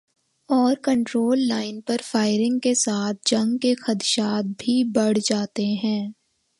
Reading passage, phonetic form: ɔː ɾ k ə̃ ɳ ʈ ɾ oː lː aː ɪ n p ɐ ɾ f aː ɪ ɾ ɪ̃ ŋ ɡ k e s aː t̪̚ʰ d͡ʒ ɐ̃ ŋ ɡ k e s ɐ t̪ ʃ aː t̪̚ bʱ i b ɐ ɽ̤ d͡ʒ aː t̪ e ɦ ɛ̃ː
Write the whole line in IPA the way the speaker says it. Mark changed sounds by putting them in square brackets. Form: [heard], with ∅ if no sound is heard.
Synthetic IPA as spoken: ɔː ɾ k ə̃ ɳ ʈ ɾ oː lː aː ɪ n p ɐ ɾ f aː ɪ ɾ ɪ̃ ŋ ɡ k e s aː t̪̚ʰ d͡ʒ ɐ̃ ŋ ɡ k e [x] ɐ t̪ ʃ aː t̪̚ bʱ i b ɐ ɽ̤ d͡ʒ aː t̪ e ɦ ɛ̃ː

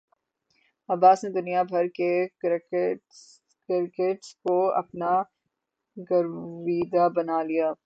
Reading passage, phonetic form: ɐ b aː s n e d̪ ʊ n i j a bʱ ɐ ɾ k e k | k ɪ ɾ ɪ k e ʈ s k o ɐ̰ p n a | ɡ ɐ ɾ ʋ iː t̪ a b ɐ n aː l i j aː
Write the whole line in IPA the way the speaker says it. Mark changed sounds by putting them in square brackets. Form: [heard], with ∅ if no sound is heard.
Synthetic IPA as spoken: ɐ b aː s n e d̪ ʊ n i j a bʱ ɐ ɾ k e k | k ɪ ɾ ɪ k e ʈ s k o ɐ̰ p n a | ɡ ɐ ɾ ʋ iː [d̪] a b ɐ n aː l i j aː

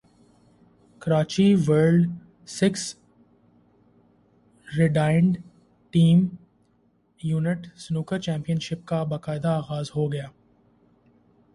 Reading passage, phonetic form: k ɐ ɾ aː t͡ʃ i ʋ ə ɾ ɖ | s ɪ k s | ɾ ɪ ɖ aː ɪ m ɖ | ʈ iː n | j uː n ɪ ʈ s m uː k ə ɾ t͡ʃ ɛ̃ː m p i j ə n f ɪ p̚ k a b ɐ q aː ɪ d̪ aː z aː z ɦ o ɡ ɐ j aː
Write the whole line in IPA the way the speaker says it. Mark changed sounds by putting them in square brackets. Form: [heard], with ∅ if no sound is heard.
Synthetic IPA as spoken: k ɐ ɾ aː t͡ʃ i ʋ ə ɾ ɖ | s ɪ k s | ɾ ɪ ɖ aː ɪ [ɳ] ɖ | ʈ iː [m] | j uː n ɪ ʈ s [n] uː k ə ɾ t͡ʃ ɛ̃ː m p i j ə n [ʃ] ɪ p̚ k a b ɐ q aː ɪ d̪ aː [ɣ] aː z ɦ o ɡ ɐ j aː

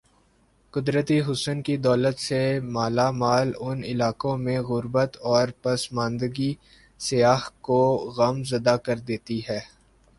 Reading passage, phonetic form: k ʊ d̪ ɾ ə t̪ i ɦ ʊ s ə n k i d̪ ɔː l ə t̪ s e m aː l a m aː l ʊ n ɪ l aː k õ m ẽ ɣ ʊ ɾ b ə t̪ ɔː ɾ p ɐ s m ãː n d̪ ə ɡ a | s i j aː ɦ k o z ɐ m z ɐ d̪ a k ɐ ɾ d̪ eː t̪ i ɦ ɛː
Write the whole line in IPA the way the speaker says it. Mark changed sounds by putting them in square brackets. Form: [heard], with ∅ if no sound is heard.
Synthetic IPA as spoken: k ʊ d̪ ɾ ə t̪ i ɦ ʊ s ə n k i d̪ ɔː l ə t̪ s e m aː l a m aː l ʊ n ɪ l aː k õ m ẽ ɣ ʊ ɾ b ə t̪ ɔː ɾ p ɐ s m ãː n d̪ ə ɡ [i] | s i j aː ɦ k o [ɣ] ɐ m z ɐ d̪ a k ɐ ɾ d̪ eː t̪ i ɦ ɛː

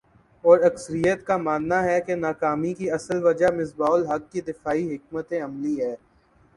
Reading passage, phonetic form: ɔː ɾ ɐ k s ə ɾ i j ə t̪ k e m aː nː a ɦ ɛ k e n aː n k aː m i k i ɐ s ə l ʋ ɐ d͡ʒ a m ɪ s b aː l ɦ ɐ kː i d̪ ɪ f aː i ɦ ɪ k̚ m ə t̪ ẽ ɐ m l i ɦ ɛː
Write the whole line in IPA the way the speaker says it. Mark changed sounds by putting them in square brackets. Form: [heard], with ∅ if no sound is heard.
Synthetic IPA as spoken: ɔː ɾ ɐ k s ə ɾ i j ə t̪ k [a] m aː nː a ɦ ɛ k e n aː [∅] k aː m i k i ɐ s ə l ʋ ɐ d͡ʒ a m ɪ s b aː l ɦ ɐ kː i d̪ ɪ f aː i ɦ ɪ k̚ m ə t̪ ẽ ɐ m l i ɦ ɛː

